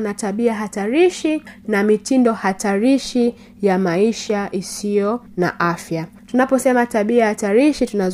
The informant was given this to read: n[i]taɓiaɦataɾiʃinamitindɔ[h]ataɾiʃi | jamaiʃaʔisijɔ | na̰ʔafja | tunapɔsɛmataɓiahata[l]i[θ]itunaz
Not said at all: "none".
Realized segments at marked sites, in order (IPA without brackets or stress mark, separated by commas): a, h, ɾ, ʃ